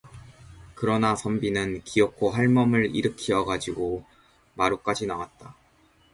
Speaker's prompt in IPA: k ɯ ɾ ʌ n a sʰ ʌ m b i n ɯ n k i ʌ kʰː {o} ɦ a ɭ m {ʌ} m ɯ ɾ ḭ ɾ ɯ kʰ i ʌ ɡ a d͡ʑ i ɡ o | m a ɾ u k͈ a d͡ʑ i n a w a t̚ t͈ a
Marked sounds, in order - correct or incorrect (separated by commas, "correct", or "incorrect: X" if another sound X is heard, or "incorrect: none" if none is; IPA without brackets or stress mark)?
correct, correct